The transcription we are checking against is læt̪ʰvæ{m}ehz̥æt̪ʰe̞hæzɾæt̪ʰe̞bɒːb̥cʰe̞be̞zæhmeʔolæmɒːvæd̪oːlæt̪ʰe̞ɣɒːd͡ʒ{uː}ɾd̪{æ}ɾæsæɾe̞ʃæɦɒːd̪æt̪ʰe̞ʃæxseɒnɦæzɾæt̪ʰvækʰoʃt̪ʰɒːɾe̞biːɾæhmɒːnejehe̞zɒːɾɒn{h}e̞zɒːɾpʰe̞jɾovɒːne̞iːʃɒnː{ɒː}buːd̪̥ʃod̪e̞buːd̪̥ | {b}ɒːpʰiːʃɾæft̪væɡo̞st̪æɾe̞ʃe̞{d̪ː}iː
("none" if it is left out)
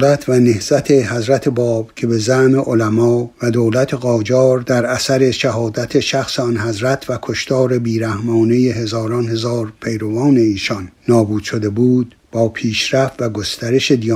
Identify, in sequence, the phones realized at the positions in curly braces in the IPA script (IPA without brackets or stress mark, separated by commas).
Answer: n, ɒː, æ, h, ɒː, b, d̪